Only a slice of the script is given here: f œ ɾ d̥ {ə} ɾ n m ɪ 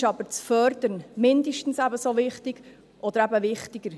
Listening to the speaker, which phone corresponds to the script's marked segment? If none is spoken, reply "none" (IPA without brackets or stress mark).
ə